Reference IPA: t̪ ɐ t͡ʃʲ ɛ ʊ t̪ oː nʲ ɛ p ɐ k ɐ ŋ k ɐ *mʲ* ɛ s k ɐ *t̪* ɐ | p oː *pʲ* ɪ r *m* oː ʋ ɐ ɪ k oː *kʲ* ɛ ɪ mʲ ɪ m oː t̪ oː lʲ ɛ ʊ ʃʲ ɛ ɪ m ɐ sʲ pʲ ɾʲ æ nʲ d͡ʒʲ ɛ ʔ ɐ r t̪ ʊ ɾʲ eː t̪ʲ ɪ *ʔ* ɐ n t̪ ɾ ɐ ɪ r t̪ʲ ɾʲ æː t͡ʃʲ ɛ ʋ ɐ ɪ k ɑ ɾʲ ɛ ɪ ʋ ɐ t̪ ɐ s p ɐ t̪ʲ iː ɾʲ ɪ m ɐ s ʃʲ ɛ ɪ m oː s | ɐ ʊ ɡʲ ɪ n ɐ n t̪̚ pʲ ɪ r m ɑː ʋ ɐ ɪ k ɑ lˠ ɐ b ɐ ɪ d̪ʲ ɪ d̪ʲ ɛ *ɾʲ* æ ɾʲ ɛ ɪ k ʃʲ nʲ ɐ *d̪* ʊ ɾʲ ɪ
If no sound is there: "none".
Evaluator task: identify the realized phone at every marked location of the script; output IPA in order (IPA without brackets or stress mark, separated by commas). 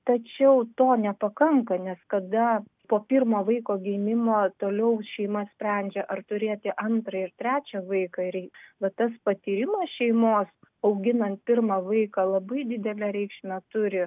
nʲ, d̪, pʲ, m, ɡʲ, ʔ, lʲ, t̪